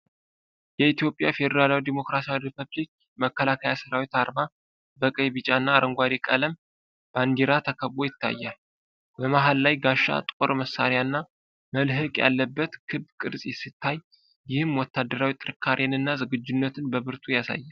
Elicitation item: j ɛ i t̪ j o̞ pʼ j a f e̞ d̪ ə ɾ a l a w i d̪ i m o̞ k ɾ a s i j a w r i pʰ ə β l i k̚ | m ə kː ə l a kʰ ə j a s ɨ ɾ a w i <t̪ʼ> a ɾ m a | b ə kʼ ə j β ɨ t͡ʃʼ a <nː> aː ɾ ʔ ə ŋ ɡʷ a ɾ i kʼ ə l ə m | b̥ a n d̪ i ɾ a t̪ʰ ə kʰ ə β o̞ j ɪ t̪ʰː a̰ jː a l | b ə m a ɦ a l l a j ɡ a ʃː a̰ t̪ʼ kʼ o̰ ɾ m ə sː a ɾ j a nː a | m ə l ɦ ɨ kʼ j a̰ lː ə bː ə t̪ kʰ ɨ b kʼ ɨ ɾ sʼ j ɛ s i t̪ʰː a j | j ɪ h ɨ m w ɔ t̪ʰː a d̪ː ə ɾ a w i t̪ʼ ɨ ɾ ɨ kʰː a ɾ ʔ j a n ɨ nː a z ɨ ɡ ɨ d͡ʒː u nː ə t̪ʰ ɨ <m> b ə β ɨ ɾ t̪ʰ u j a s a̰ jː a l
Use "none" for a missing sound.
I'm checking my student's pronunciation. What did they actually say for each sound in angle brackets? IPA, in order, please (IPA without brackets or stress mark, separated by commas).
t̪, nː, n